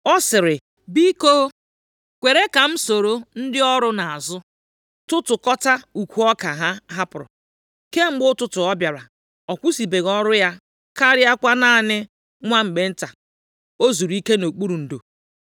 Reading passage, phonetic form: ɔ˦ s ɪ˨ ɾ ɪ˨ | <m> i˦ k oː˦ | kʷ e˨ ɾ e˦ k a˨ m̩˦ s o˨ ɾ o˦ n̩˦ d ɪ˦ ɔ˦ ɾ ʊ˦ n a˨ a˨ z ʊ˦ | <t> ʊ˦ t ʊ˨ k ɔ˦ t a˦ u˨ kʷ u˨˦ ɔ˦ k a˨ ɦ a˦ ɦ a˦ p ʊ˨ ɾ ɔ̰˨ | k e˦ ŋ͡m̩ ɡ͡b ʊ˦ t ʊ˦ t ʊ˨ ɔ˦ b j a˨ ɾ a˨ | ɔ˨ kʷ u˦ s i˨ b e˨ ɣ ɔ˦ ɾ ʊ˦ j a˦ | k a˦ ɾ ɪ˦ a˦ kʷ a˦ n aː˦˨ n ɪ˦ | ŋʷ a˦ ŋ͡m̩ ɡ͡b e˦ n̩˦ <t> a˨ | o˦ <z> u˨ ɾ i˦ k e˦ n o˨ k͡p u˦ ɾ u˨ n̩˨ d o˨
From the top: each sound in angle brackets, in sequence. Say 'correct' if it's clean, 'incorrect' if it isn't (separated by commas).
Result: incorrect, correct, correct, correct